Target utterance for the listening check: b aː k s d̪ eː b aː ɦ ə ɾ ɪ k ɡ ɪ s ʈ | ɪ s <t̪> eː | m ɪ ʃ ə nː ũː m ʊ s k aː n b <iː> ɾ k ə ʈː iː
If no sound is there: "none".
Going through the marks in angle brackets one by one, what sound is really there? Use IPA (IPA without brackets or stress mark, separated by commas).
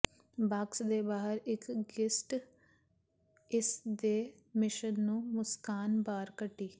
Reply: d̪, aː